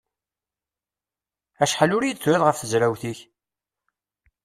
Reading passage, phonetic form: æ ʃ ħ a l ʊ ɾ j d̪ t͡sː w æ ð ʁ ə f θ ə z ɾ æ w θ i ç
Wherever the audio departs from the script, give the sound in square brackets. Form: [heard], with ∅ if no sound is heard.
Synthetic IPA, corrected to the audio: æ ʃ ħ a l ʊ ɾ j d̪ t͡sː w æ ð ʁ ə f θ ə z ɾ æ w θ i ç